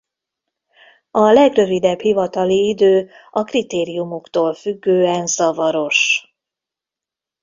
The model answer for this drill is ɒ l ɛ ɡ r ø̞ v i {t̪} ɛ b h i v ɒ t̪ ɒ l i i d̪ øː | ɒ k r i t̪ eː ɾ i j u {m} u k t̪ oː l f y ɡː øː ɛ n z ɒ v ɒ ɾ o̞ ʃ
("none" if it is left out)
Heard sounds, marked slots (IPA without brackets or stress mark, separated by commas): d̪, m